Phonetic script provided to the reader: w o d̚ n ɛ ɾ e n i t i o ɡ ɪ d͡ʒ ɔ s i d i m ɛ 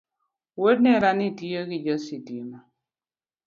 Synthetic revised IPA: w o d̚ n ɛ ɾ a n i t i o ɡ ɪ d͡ʒ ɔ s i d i m a